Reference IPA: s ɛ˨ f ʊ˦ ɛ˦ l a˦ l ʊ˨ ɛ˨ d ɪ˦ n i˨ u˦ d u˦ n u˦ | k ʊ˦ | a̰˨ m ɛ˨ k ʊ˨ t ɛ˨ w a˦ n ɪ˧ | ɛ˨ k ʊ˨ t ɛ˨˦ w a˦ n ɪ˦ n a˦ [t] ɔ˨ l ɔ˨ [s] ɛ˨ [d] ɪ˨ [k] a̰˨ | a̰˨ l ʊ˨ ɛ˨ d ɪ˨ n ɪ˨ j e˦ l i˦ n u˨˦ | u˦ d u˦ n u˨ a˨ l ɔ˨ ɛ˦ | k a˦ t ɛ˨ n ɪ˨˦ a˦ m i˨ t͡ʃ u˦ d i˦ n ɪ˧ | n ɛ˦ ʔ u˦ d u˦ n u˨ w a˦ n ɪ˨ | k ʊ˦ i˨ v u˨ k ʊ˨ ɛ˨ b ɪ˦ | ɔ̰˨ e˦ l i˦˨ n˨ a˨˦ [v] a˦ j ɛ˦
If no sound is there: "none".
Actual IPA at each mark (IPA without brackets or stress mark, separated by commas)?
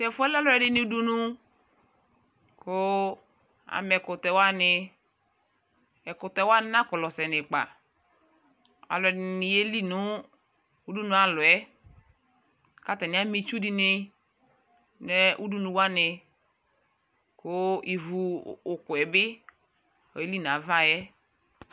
k, s, n, k͡p, v